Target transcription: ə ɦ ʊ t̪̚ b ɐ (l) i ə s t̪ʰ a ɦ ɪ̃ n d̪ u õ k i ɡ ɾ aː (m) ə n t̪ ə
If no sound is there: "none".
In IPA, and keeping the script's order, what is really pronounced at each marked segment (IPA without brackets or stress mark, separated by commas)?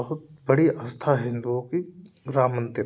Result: ɽ, m